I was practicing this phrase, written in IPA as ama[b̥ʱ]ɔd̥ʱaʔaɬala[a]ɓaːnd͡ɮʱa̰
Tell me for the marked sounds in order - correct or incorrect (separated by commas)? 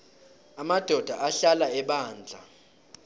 incorrect, incorrect